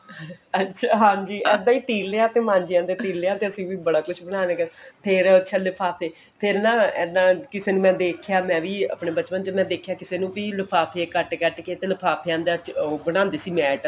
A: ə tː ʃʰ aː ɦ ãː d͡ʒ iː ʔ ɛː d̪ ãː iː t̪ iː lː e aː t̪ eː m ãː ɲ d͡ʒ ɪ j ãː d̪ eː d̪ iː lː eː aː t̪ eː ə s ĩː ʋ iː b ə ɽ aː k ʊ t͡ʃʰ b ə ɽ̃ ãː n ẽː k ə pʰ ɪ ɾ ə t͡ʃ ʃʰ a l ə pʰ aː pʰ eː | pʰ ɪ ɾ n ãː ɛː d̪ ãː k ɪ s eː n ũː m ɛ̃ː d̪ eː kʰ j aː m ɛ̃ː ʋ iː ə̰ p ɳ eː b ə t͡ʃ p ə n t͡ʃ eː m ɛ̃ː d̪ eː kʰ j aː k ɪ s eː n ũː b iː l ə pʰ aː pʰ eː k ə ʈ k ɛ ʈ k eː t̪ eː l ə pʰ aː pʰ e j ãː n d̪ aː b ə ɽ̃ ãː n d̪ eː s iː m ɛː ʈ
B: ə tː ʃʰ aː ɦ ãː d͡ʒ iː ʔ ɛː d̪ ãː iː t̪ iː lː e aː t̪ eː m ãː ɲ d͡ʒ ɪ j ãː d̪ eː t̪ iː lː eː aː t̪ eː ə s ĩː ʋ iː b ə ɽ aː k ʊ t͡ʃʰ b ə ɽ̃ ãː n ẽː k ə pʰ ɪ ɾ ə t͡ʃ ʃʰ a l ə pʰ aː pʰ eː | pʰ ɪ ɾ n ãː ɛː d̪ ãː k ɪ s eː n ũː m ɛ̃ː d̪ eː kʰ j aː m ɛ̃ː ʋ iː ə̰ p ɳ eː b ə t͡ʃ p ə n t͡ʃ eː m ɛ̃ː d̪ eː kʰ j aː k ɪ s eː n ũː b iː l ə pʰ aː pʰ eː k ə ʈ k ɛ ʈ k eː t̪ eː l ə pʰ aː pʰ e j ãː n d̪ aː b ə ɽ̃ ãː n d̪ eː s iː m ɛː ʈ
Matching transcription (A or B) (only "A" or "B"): B